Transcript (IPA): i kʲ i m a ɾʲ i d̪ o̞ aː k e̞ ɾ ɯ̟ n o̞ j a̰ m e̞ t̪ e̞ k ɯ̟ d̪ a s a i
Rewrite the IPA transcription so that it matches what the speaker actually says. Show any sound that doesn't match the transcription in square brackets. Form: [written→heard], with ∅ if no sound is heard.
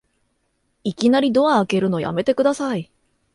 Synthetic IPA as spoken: i kʲ i [m→n] a ɾʲ i d̪ o̞ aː k e̞ ɾ ɯ̟ n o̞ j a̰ m e̞ t̪ e̞ k ɯ̟ d̪ a s a i